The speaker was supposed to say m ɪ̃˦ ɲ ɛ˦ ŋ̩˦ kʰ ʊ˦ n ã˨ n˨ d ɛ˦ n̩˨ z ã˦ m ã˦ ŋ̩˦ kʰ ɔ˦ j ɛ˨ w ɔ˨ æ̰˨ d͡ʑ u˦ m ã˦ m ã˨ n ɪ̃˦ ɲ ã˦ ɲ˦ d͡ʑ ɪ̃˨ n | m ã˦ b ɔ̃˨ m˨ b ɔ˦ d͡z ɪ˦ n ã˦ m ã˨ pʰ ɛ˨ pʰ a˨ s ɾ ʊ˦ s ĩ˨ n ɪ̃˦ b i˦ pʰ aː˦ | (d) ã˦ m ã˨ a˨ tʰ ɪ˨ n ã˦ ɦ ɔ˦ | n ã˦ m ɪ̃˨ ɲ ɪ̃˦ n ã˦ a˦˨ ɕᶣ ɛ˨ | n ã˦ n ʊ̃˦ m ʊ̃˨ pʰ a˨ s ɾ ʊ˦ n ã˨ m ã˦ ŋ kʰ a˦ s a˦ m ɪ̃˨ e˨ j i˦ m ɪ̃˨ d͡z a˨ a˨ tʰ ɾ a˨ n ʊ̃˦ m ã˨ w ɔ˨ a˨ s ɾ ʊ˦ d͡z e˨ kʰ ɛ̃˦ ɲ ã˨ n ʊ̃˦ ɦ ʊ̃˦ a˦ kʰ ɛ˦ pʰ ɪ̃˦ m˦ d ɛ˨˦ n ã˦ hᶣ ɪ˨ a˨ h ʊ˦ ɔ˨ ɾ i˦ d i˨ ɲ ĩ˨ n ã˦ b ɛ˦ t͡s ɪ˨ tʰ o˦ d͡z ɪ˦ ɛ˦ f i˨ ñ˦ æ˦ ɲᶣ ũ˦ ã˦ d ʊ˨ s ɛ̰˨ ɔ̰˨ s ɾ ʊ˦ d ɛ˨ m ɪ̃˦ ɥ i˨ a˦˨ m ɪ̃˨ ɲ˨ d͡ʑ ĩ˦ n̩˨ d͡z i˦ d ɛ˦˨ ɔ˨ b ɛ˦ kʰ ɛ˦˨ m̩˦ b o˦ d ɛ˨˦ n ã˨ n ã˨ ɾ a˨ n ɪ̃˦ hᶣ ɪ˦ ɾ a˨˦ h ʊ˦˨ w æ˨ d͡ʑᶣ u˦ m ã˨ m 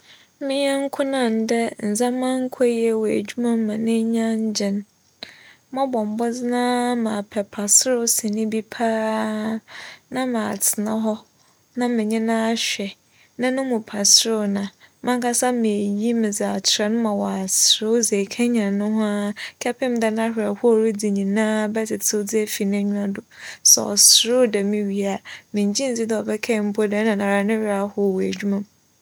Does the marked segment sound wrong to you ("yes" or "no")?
yes